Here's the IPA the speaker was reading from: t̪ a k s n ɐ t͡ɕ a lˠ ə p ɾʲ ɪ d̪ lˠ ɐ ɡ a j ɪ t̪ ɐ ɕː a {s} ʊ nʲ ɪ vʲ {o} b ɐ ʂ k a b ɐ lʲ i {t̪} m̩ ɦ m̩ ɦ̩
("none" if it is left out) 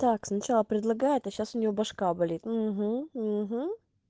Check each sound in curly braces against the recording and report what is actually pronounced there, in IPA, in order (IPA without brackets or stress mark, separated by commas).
s, o, t̪